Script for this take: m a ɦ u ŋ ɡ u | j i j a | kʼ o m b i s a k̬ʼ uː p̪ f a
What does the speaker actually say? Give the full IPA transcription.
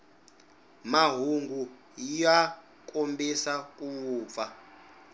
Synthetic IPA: m a ɦ u ŋ ɡ u | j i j a | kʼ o m b i s a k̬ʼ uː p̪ f a